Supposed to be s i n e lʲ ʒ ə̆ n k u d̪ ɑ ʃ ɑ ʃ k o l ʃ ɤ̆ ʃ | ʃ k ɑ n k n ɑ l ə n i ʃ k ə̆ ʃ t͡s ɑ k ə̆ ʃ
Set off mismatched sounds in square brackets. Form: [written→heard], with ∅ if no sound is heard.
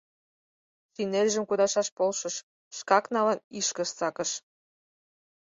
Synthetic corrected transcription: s i n e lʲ ʒ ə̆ [n→m] k u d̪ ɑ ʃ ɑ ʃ [k→p] o l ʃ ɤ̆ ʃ | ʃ k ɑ [n→∅] k n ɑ l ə n i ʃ k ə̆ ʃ t͡s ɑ k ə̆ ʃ